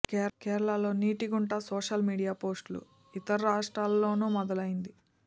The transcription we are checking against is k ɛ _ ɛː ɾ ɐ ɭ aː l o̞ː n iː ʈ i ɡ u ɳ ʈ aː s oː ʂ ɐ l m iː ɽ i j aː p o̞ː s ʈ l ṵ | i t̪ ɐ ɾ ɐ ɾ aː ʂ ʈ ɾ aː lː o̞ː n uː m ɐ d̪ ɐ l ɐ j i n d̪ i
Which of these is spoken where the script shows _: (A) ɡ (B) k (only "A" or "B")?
B